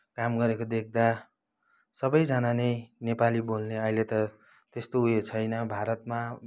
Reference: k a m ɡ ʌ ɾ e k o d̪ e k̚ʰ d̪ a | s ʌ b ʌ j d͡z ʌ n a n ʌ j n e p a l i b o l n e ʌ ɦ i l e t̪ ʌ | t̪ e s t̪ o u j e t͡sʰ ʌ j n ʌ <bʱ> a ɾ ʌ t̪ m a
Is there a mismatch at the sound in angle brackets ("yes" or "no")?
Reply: no